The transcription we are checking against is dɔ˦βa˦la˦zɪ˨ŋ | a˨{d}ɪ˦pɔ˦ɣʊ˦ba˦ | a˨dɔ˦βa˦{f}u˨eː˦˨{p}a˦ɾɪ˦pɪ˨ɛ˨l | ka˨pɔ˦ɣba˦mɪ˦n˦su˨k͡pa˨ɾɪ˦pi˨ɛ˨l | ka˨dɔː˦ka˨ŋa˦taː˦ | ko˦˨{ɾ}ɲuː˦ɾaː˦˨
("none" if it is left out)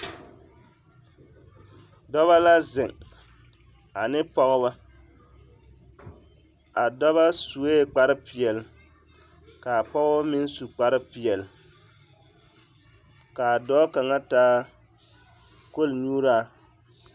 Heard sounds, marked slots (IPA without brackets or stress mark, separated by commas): n, s, k͡p, l